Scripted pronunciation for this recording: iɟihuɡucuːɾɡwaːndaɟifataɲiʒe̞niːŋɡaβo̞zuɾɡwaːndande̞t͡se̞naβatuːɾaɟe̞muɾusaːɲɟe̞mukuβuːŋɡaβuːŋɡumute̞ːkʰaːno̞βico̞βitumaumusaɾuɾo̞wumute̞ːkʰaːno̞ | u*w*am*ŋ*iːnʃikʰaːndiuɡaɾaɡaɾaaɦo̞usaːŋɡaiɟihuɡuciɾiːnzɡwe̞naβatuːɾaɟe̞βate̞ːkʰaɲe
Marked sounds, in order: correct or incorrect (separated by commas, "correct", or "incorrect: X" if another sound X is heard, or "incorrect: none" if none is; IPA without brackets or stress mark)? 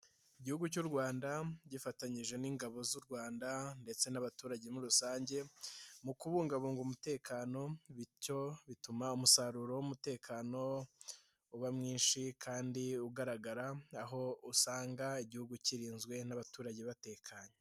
incorrect: β, correct